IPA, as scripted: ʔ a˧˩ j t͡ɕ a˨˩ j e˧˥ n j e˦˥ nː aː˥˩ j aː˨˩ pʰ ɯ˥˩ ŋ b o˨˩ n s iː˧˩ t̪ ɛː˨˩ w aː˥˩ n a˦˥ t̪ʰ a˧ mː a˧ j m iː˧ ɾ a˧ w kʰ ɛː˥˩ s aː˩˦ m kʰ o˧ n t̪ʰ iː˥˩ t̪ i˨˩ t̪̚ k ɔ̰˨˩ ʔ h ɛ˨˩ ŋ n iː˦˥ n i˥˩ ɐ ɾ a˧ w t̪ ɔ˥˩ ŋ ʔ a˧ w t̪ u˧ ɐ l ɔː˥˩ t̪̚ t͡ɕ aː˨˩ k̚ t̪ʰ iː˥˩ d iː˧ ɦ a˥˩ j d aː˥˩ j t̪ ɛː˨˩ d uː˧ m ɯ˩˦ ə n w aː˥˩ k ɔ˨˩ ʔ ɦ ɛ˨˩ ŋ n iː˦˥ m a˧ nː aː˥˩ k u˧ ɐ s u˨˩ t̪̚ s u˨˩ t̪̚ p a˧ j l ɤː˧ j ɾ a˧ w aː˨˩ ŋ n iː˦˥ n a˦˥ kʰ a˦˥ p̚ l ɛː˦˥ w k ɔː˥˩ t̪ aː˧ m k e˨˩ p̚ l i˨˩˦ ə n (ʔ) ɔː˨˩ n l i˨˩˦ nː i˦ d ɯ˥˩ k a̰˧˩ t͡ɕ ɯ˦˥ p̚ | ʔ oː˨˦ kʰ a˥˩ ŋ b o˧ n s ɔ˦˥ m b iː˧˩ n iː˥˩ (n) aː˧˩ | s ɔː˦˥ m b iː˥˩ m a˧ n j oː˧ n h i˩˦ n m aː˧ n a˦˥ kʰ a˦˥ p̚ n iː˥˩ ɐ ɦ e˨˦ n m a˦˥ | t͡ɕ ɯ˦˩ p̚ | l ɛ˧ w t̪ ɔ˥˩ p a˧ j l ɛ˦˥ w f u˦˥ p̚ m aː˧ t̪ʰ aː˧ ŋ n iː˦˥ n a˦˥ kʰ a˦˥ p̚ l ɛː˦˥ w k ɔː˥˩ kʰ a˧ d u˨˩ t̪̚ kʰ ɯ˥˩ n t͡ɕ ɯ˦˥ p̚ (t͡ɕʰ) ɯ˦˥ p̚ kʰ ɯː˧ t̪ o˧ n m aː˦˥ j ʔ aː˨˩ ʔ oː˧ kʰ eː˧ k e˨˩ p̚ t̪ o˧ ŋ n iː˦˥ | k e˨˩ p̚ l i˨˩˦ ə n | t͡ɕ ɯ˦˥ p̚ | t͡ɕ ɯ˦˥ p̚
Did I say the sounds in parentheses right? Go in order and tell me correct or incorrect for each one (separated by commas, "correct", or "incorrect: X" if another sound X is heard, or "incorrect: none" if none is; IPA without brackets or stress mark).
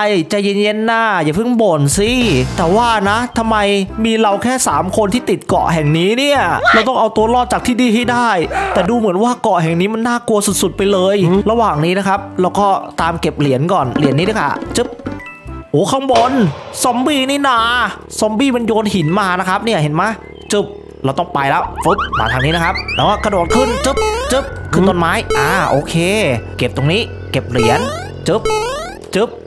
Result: incorrect: k, correct, incorrect: t͡ɕ